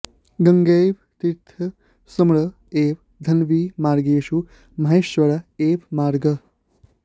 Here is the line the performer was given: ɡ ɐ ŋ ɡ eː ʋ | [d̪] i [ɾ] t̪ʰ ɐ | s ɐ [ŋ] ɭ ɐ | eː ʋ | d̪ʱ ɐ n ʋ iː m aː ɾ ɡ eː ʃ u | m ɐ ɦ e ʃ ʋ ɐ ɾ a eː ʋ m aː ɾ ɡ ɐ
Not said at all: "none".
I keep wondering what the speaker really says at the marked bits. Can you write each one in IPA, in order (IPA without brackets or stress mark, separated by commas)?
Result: t̪, ɾ, m